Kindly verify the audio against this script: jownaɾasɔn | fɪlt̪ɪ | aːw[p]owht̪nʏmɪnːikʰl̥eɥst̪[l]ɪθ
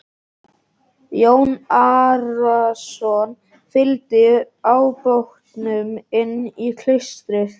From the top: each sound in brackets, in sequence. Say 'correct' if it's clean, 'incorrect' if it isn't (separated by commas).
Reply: correct, incorrect